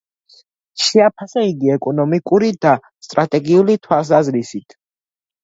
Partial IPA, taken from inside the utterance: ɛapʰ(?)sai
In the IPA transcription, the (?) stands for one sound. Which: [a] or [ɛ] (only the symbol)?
a